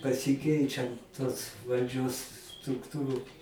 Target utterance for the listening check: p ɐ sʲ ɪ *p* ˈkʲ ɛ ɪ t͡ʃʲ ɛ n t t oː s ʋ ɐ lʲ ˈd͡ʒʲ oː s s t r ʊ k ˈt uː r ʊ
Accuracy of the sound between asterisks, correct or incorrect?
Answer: incorrect